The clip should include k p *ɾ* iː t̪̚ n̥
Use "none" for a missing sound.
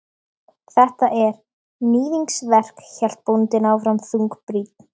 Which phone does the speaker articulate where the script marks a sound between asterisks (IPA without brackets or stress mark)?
ɾ